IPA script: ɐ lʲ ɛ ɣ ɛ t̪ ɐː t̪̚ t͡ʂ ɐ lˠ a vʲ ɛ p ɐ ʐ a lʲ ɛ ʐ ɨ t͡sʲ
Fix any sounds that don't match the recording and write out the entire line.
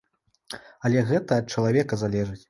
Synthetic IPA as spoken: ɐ lʲ ɛ ɣ ɛ t̪ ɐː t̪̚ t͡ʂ ɐ lˠ a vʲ ɛ k ɐ z a lʲ ɛ ʐ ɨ t͡sʲ